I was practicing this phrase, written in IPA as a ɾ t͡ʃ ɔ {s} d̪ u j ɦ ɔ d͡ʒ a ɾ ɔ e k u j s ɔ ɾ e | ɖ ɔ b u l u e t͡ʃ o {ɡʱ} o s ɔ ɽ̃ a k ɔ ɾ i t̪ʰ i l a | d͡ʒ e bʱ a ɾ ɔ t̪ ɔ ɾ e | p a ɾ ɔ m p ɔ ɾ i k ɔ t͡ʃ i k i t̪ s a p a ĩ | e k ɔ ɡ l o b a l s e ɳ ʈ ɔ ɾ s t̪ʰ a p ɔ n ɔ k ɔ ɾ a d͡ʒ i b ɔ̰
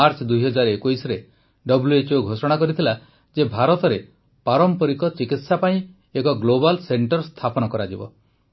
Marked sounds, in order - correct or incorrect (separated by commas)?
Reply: incorrect, correct